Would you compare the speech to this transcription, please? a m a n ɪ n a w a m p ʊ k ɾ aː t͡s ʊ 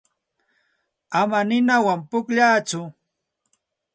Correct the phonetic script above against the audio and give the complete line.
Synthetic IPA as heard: a m a n ɪ n a w a m p ʊ k ʎ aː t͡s ʊ